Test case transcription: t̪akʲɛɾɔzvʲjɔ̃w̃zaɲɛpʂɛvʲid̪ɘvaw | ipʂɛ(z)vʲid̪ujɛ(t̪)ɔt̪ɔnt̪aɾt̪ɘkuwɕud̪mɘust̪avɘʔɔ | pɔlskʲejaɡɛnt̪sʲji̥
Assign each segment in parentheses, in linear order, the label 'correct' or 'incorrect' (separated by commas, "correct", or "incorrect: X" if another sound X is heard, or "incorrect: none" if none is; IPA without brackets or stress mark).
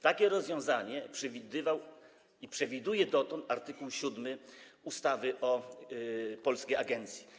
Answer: incorrect: none, incorrect: d̪